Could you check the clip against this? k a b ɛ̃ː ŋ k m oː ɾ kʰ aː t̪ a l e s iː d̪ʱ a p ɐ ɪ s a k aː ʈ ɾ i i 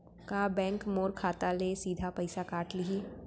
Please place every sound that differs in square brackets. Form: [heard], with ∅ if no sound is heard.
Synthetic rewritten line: k a b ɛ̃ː ŋ k m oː ɾ kʰ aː t̪ a l e s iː d̪ʱ a p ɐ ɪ s a k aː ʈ [l] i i